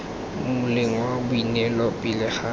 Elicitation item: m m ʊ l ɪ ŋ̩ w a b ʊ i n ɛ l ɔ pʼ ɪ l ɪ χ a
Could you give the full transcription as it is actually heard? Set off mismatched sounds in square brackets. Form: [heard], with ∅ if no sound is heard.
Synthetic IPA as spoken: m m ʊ l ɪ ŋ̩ w a b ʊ i n ɛ l ɔ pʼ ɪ l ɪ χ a